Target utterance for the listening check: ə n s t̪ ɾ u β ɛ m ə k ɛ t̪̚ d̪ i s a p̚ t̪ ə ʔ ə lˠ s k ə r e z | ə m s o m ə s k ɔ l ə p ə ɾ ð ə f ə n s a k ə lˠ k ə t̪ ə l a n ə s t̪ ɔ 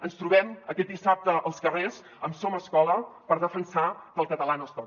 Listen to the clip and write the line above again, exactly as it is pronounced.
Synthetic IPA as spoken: ə n s t̪ ɾ u β ɛ m ə k ɛ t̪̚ d̪ i s a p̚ t̪ ə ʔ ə lˠ s k ə r e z | ə m s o m ə s k ɔ l ə p ə ɾ ð ə f ə n s a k ə lˠ k ə t̪ ə l a n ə s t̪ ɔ